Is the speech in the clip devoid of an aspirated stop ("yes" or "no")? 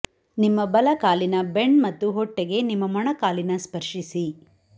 yes